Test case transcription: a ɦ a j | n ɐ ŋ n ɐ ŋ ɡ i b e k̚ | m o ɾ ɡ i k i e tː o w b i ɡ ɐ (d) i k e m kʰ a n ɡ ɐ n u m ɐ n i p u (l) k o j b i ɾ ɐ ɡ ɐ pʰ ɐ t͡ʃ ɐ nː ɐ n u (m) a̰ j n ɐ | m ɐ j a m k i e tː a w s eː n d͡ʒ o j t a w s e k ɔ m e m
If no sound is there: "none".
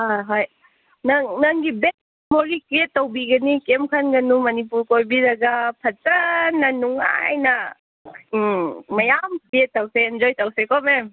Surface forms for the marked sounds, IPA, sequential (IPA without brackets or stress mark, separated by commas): n, ɾ, ŋ